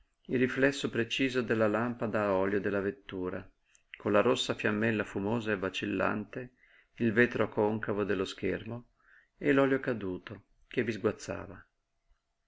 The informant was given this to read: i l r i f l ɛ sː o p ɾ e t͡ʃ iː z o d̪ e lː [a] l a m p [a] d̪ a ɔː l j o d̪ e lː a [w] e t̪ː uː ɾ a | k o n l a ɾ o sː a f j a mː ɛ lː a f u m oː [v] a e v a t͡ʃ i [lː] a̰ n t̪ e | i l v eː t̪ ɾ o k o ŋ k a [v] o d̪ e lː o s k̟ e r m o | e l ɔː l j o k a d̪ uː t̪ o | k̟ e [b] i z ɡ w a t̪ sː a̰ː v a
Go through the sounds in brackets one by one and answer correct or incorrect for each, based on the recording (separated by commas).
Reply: correct, correct, incorrect, incorrect, correct, correct, incorrect